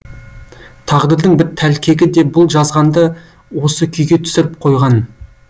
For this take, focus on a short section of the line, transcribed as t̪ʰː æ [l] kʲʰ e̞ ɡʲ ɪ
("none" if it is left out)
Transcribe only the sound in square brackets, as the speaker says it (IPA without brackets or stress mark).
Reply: l